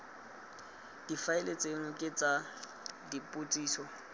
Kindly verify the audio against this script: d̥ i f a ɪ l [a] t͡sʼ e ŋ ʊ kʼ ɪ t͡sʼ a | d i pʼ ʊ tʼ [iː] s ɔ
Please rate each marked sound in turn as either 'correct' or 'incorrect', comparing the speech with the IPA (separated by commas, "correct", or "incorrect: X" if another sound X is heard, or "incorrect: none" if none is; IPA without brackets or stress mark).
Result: incorrect: e, correct